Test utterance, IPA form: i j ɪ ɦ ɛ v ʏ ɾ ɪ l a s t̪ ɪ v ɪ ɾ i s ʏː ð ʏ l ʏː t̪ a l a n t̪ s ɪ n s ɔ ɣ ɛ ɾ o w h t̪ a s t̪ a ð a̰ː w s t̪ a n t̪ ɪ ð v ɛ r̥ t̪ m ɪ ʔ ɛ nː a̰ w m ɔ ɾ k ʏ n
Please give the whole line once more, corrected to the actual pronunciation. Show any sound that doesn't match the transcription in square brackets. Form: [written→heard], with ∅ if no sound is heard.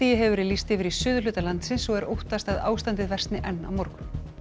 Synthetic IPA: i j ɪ ɦ ɛ v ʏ ɾ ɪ l [a→i] s t̪ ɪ v ɪ ɾ i s ʏː ð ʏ l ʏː t̪ a l a n t̪ s ɪ n s ɔ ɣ ɛ ɾ o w h t̪ a s t̪ a ð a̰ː w s t̪ a n t̪ ɪ ð v ɛ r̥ t̪ [m→n] ɪ ʔ ɛ nː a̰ w m ɔ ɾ k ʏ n